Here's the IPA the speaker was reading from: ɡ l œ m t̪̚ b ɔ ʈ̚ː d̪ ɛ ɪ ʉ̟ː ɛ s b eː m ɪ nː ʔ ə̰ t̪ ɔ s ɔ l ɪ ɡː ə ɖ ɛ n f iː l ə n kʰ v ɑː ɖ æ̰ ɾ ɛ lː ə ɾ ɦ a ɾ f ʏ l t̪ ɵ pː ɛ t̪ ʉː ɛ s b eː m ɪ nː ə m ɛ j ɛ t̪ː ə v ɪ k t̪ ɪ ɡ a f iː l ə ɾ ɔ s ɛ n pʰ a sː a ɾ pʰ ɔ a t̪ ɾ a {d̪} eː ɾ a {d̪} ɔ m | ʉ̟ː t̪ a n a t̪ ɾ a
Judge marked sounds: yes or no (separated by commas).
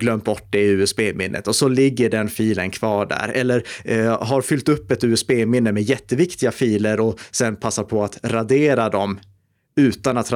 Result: yes, yes